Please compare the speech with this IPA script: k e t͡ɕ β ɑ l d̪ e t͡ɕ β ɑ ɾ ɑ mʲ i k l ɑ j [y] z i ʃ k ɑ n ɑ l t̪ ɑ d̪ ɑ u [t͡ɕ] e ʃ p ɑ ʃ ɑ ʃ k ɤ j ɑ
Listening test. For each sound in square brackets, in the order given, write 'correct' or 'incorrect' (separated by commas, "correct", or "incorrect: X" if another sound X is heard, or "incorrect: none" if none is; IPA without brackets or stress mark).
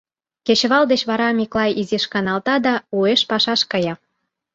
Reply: incorrect: i, incorrect: none